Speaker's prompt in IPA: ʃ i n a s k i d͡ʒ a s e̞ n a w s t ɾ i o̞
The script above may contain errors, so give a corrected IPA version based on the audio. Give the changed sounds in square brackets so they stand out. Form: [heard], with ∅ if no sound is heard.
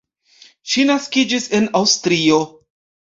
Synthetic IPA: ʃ i n a s k i d͡ʒ [i] s e̞ n a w s t ɾ i o̞